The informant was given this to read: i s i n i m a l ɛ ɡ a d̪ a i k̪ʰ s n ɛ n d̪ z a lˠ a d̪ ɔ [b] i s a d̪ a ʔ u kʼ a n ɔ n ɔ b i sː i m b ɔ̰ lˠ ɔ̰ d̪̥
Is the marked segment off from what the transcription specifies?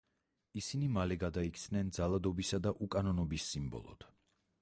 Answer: no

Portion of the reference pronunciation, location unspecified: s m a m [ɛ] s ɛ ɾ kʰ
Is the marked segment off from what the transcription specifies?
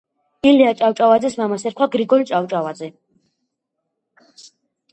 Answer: yes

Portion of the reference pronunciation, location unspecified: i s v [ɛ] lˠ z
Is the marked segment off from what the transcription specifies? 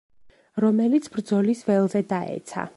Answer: no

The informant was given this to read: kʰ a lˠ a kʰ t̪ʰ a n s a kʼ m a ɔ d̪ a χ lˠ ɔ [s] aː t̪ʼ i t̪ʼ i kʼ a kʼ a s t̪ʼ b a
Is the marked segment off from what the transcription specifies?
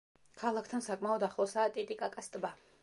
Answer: no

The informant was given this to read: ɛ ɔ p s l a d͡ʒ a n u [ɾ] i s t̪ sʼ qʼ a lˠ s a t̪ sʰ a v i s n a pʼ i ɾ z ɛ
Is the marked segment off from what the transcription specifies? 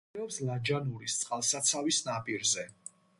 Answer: no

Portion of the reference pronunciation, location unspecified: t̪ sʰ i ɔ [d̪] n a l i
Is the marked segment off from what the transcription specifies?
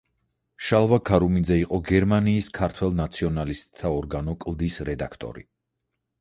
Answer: yes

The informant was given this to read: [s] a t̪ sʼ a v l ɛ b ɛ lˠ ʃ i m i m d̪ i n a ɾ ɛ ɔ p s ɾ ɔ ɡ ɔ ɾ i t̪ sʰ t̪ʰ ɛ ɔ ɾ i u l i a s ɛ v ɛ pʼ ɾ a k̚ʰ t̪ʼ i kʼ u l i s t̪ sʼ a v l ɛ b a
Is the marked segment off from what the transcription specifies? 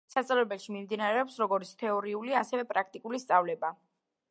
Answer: no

